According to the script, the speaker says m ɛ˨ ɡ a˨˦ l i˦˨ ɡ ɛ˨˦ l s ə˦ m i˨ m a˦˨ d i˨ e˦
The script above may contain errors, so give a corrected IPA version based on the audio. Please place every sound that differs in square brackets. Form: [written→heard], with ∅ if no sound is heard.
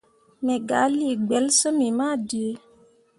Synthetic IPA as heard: m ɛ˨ ɡ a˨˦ l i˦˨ [ɡ→ɡ͡b] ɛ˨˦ l s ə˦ m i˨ m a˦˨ d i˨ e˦